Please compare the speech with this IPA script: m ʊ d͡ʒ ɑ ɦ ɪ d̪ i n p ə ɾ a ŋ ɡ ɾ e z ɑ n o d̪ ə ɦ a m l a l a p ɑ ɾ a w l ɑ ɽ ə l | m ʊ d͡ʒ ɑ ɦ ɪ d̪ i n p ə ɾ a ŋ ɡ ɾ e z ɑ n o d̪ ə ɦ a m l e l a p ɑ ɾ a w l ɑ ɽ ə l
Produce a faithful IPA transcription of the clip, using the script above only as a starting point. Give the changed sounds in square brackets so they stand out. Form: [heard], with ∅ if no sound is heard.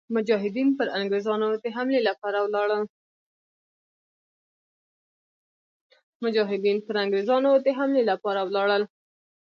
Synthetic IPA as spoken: m ʊ d͡ʒ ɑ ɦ ɪ d̪ i n p ə ɾ a ŋ ɡ ɾ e z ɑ n o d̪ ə ɦ a m l [e] l a p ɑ ɾ a w l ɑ ɽ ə l | m ʊ d͡ʒ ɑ ɦ ɪ d̪ i n p ə ɾ a ŋ ɡ ɾ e z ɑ n o d̪ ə ɦ a m l e l a p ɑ ɾ a w l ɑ ɽ ə l